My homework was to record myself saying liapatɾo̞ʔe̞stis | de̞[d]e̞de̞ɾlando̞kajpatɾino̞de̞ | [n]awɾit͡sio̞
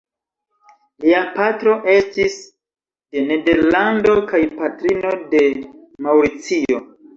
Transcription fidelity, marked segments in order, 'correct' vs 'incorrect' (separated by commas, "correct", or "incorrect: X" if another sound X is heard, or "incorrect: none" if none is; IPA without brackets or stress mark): incorrect: n, incorrect: m